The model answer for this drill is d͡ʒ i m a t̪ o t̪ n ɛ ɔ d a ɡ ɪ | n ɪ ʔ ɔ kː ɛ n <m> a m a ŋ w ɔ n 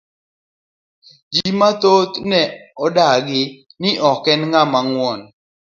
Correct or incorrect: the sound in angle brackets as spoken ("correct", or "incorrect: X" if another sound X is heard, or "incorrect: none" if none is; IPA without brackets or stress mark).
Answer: incorrect: ŋ